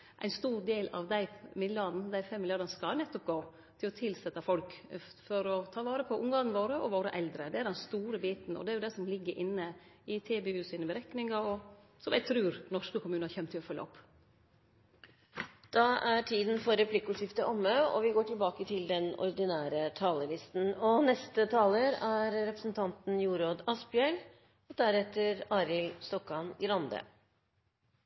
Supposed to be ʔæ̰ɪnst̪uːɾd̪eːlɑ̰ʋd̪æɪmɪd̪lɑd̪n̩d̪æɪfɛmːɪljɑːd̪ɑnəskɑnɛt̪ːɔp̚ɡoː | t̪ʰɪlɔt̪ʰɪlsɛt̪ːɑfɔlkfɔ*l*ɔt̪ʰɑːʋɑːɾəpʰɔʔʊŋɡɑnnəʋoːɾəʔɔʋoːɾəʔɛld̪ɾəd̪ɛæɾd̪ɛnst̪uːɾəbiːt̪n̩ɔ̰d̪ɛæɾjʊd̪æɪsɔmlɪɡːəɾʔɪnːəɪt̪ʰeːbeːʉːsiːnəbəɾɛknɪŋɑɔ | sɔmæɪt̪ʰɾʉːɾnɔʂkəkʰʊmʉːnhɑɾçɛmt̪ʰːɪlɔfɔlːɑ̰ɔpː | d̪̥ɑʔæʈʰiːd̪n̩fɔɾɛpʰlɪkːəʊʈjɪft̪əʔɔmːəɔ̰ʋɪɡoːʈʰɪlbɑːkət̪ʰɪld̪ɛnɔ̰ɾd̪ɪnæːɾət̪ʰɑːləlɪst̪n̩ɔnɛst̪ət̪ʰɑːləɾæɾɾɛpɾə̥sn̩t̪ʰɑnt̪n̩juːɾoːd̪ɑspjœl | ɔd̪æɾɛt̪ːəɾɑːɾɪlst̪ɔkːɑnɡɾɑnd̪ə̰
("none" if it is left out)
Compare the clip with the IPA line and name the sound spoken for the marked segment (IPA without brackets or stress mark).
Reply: ɾ